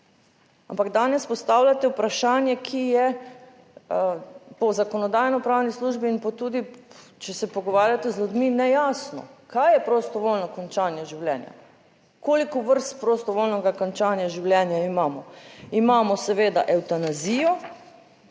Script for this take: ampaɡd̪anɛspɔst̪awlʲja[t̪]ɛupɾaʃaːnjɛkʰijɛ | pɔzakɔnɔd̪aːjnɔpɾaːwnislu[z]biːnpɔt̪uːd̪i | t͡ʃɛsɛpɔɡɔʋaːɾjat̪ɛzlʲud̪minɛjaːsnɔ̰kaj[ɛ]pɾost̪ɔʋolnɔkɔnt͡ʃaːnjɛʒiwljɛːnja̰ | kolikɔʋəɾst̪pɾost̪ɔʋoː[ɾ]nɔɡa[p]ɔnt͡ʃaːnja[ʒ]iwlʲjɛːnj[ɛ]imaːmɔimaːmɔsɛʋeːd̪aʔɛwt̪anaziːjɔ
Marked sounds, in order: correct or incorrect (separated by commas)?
correct, incorrect, correct, incorrect, incorrect, correct, incorrect